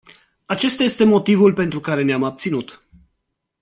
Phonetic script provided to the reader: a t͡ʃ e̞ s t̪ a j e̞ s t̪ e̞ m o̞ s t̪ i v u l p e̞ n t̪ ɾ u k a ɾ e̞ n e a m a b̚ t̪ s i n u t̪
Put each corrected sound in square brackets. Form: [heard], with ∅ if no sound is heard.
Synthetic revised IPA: a t͡ʃ e̞ s t̪ a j e̞ s t̪ e̞ m o̞ [∅] t̪ i v u l p e̞ n t̪ ɾ u k a ɾ e̞ n e a m a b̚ t̪ s i n u t̪

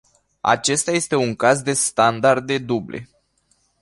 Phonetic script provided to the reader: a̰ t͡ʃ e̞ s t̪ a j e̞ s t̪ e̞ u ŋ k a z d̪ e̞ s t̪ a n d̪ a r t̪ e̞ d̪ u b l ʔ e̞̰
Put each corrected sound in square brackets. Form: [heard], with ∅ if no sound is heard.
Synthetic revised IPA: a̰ t͡ʃ e̞ s t̪ a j e̞ s t̪ e̞ u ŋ k a z d̪ e̞ s t̪ a n d̪ a r [d̪] e̞ d̪ u b l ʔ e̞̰

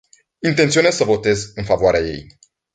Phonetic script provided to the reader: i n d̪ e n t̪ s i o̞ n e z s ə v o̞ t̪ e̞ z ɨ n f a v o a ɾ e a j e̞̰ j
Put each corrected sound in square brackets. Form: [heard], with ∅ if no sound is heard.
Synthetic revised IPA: i n [t̪] e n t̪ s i o̞ n e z s ə v o̞ t̪ e̞ z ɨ n f a v o a ɾ e a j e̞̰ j

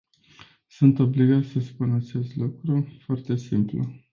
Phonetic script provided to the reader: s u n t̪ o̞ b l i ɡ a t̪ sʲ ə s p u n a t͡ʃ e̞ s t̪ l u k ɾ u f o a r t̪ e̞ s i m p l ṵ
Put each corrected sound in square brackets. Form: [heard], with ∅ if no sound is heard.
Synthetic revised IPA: s u n t̪ o̞ b l i ɡ a t̪ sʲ ə s p u n a t͡ʃ e̞ s t̪ l u k ɾ u f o a r t̪ e̞ s i m p l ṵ

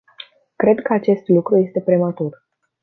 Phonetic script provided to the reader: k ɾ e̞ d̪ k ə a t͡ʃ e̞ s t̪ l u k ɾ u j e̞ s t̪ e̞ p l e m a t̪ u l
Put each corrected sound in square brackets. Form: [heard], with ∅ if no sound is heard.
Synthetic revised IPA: k ɾ e̞ d̪ k ə a t͡ʃ e̞ s t̪ l u k ɾ u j e̞ s t̪ e̞ p [ɾ] e m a t̪ u [r]

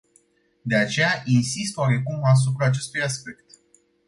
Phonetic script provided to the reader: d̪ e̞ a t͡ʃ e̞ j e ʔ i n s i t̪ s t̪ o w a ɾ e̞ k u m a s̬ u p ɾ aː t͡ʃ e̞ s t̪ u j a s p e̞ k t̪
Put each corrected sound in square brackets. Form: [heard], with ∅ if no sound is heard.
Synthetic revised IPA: d̪ e̞ a t͡ʃ e̞ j [a] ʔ i n s i [∅] s t̪ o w a ɾ e̞ k u m a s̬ u p ɾ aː t͡ʃ e̞ s t̪ u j a s p e̞ k t̪

